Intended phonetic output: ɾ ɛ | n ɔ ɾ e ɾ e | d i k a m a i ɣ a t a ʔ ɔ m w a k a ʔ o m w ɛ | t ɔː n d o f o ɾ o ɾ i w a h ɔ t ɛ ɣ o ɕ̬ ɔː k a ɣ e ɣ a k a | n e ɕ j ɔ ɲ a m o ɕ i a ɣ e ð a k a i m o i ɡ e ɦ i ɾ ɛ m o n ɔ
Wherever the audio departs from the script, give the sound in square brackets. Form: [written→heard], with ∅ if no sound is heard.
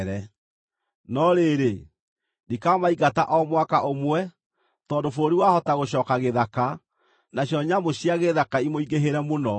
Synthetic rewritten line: ɾ ɛ | n ɔ ɾ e ɾ e | d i k a m a i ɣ a t a ʔ ɔ m w a k a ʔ o m w ɛ | t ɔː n d o f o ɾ o ɾ i w a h ɔ t [ɛ→a] ɣ o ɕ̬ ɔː k a ɣ e [ɣ→ð] a k a | n [e→a] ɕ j ɔ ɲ a m o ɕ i a ɣ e ð a k a i m o i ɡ e ɦ [i→e] ɾ ɛ m o n ɔ